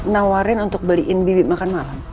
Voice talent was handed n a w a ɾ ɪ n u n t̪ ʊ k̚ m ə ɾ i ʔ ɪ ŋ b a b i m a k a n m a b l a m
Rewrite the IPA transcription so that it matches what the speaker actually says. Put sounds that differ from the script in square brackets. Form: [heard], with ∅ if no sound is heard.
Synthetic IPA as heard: n a w a ɾ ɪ n u n t̪ ʊ k̚ [b] ə [l] i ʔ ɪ [n] b [i] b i m a k a n m a [∅] l a m